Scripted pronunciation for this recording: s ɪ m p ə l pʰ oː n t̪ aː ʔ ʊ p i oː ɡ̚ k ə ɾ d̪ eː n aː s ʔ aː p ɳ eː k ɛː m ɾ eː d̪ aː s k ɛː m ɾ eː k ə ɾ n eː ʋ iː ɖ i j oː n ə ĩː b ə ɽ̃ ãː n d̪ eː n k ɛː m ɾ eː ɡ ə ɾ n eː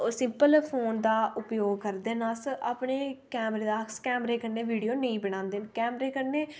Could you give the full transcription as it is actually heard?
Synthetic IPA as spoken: s ɪ m p ə l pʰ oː n d̪ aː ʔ ʊ p j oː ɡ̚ k ə ɾ d̪ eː n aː s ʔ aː p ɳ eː k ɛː m ɾ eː d̪ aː s k ɛː m ɾ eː k ə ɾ n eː ʋ iː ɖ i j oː n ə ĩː b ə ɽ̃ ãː n d̪ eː n k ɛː m ɾ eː k ə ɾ n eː